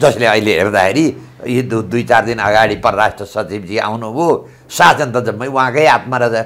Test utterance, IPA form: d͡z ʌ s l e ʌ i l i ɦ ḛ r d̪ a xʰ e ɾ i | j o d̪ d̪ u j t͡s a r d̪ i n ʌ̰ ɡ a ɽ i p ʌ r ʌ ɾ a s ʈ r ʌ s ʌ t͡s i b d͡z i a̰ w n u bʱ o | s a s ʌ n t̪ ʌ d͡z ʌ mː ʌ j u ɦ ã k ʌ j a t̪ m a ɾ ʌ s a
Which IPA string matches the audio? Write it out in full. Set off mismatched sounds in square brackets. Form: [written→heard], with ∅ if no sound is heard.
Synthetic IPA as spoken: d͡z ʌ s l e ʌ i l [i→e] ɦ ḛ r d̪ a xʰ e ɾ i | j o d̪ d̪ u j t͡s a r d̪ i n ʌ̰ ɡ a ɽ i p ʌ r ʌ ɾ a s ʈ r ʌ s ʌ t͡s i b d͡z i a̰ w n u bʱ o | s a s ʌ n t̪ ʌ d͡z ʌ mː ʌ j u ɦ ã k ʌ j a t̪ m a ɾ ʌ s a